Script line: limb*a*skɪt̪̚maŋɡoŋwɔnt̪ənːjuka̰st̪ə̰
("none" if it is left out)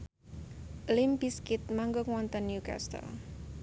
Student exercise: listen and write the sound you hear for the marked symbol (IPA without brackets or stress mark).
i